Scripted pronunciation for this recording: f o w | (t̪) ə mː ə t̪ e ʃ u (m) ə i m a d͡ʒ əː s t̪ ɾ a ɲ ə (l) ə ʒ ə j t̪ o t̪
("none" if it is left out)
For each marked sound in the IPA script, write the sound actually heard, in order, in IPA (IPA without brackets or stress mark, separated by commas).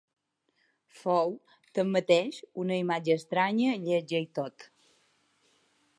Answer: t̪, n, ʎ